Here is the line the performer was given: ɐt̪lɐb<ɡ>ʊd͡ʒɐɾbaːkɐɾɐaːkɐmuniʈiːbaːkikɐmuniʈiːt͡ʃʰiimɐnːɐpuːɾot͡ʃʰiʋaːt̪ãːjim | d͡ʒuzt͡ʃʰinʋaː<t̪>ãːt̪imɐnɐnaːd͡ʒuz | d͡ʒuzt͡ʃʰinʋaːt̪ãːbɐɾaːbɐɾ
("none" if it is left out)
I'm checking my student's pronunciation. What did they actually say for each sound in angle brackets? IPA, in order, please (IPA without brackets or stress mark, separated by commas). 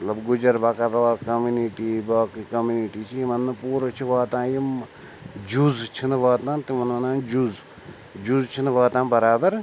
ɡ, t̪